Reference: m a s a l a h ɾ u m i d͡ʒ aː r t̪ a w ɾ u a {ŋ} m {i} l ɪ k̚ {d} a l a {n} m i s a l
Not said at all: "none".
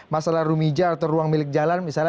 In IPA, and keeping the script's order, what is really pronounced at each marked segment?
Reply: ŋ, i, d͡ʒ, n

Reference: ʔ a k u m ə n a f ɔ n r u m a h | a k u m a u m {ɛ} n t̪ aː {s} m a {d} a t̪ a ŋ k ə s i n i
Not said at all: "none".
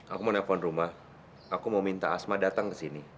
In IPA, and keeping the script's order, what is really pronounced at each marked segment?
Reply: i, s, d

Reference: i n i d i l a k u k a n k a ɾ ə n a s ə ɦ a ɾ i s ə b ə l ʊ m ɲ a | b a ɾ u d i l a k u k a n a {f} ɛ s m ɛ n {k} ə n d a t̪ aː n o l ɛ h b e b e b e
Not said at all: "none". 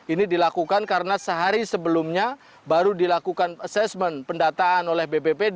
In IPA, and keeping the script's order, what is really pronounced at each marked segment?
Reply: s, p

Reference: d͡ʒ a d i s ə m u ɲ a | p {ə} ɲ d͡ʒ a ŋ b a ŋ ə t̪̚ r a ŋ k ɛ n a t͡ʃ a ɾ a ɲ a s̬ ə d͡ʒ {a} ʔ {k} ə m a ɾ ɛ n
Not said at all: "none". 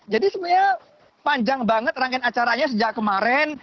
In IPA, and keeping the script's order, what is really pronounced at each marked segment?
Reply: a, a, k

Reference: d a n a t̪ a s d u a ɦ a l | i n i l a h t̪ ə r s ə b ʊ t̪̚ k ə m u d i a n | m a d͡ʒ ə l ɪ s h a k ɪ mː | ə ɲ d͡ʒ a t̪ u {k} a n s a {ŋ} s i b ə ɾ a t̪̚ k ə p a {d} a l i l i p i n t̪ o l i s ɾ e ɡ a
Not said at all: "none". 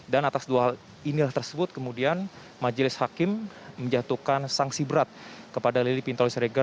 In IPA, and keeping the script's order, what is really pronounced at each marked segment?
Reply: k, ŋ, d

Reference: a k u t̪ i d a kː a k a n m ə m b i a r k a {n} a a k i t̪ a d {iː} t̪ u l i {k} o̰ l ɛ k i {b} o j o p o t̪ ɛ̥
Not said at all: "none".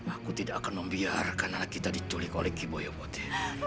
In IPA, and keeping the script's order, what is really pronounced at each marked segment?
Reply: n, i, k, b

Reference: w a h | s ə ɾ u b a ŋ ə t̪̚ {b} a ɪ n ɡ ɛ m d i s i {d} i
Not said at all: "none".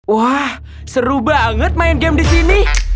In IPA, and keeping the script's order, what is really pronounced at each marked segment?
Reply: m, n

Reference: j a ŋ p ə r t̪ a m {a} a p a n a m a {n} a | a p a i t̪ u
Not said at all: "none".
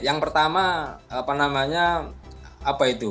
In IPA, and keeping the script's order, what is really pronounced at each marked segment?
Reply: a, ɲ

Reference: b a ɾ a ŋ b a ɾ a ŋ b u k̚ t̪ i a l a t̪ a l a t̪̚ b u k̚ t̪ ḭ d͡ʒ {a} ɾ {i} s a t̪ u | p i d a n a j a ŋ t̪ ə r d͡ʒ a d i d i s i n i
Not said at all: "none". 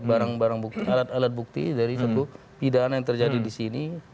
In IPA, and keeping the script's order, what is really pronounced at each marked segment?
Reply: a, i

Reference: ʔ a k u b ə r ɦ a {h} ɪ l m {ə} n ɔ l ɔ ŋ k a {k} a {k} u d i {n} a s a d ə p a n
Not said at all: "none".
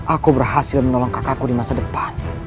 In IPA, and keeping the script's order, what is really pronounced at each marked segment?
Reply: s, ə, k, k, m

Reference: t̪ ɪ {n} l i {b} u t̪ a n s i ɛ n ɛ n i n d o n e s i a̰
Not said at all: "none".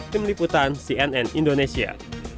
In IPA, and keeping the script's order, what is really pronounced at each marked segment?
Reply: m, p

